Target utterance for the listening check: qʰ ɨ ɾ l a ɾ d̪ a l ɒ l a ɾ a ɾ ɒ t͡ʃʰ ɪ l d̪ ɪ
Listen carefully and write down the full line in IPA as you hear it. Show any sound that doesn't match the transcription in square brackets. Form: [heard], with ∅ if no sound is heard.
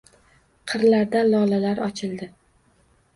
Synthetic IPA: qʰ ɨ ɾ l a ɾ d̪ a l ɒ l a [l] a ɾ ɒ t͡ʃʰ ɪ l d̪ ɪ